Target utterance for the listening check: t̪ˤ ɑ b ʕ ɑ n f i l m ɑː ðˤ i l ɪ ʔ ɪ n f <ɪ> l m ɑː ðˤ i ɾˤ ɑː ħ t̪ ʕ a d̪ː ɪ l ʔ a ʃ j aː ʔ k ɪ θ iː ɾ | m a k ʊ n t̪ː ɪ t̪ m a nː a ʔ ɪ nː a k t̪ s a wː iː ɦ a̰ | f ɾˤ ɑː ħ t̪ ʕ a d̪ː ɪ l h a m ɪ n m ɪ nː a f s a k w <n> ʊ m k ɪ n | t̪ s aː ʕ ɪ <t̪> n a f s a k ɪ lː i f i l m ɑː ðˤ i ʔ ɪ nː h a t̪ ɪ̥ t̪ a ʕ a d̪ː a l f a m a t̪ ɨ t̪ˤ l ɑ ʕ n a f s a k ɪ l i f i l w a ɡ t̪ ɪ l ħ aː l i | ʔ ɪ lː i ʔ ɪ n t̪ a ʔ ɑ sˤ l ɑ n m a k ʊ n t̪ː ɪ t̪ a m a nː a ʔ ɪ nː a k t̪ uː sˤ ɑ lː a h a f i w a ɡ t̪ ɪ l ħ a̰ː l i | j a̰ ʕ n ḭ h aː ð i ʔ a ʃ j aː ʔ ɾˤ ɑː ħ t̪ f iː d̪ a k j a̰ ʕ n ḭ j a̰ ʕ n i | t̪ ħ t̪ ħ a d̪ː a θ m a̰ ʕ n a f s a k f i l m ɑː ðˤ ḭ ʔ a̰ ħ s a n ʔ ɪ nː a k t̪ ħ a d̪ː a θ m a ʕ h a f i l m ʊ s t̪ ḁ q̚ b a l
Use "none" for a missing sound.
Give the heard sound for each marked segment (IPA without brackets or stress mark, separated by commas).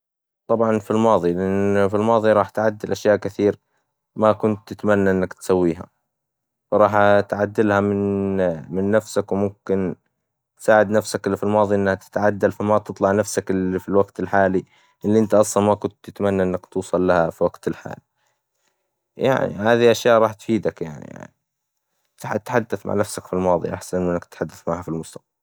i, m, d̪